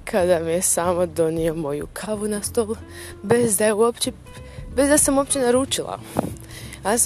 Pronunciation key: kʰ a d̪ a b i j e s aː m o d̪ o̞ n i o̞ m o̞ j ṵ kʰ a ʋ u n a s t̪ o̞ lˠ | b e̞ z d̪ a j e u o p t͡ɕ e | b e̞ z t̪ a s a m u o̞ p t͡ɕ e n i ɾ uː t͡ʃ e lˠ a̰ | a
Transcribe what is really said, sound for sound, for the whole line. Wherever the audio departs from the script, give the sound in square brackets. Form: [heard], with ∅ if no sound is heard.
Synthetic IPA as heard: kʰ a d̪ a [m] i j e s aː m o d̪ o̞ n i o̞ m o̞ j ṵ kʰ a ʋ u n a s t̪ o̞ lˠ | b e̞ z d̪ a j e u o p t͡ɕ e | b e̞ z [d̪] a s a m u o̞ p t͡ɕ e n [a] ɾ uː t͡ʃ [i] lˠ a̰ | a